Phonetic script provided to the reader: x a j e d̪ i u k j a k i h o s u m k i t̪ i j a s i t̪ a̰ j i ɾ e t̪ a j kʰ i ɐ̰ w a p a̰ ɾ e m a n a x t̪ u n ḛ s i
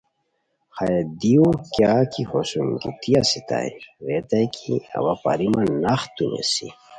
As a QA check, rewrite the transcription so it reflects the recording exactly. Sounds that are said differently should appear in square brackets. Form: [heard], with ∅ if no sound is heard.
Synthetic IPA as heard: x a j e d̪ i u k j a k i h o s u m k i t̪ i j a s i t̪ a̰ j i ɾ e t̪ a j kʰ i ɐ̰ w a p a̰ ɾ [i] m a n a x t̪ u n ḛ s i